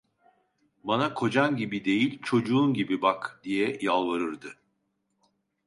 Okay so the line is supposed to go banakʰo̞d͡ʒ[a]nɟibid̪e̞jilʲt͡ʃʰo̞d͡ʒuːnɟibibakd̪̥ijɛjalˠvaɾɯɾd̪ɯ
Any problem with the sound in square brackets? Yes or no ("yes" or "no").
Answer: no